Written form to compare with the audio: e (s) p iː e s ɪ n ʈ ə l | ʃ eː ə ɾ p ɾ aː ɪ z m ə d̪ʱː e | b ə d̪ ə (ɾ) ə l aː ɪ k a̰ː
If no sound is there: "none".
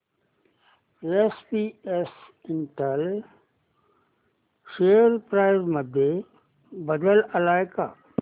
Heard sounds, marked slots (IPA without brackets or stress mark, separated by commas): s, l